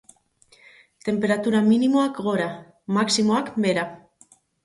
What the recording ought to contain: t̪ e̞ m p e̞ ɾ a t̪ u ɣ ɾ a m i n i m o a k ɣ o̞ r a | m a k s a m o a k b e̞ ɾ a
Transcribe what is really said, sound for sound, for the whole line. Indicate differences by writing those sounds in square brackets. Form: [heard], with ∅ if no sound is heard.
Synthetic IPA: t̪ e̞ m p e̞ ɾ a t̪ u [∅] ɾ a m i n i m o a k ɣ o̞ [ɾ] a | m a k s [i] m o a k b e̞ ɾ a